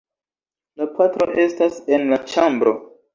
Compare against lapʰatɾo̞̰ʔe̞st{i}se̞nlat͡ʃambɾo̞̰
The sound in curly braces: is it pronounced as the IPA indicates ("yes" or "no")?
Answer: no